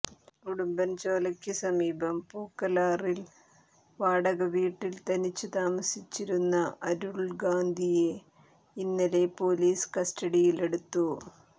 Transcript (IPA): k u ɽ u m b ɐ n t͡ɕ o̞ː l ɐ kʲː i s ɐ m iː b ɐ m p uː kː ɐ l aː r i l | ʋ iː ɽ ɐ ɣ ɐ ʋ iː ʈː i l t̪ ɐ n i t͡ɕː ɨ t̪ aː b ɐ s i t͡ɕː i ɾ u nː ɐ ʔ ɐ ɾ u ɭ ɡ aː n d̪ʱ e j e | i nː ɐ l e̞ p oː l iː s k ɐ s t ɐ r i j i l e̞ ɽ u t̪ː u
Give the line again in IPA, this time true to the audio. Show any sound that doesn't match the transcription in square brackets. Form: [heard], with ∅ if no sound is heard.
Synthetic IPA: k u ɽ u m b ɐ n t͡ɕ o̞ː l ɐ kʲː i s ɐ m iː b ɐ m p uː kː ɐ l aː r i l | ʋ [aː] ɽ ɐ ɣ ɐ ʋ iː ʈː i l t̪ ɐ n i t͡ɕː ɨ t̪ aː [m] ɐ s i t͡ɕː i ɾ u nː ɐ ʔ ɐ ɾ u ɭ ɡ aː n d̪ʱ [i] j e | i nː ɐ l e̞ p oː l iː s k ɐ s t ɐ [ɽ] i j i l e̞ ɽ u t̪ː u